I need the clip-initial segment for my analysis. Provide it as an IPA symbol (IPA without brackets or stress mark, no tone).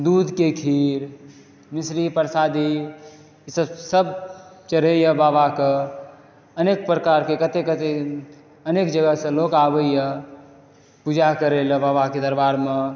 d̪